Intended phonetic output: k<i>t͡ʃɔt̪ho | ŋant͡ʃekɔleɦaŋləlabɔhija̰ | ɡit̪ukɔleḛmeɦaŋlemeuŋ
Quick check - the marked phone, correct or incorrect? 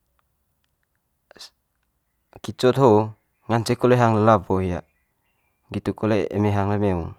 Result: correct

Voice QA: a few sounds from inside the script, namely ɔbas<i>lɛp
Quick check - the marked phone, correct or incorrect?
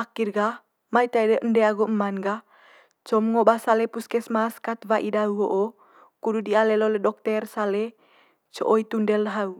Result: incorrect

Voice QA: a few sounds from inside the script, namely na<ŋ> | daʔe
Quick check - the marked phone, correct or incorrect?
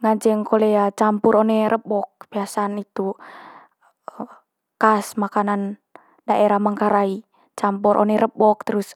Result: incorrect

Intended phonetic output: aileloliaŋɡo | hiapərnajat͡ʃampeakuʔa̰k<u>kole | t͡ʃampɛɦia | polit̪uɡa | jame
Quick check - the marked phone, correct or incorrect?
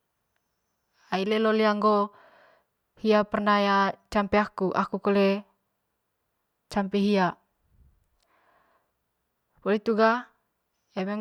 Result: correct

